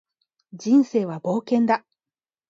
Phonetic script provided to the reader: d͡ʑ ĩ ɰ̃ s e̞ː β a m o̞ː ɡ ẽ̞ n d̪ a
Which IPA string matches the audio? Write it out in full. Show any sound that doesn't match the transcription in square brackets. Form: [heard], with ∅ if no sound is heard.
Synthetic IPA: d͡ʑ ĩ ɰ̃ s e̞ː β a [b] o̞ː [k] ẽ̞ n d̪ a